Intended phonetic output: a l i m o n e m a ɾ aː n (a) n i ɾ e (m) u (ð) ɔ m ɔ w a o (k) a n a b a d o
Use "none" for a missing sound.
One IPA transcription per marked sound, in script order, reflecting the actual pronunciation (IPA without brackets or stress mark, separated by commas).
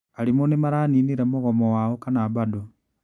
i, m, ɣ, k